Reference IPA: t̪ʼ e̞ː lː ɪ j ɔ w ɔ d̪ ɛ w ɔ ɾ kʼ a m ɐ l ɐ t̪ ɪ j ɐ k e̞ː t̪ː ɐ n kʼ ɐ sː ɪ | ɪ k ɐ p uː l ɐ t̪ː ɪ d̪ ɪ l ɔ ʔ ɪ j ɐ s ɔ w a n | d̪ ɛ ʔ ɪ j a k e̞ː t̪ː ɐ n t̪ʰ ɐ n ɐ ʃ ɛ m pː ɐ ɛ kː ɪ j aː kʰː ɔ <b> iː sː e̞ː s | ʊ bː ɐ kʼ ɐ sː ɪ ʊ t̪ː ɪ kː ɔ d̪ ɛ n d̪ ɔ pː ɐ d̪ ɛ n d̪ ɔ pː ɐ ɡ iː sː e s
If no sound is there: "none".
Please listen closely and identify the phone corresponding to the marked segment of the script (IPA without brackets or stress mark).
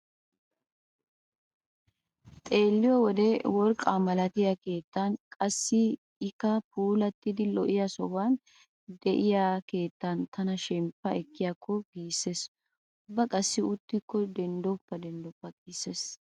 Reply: ɡ